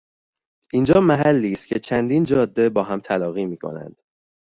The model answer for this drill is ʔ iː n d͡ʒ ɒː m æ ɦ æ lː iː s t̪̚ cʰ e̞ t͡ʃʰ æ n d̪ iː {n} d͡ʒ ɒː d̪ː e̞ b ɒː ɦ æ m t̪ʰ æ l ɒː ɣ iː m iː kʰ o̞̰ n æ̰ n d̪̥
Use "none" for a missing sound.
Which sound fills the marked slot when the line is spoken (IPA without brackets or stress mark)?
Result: n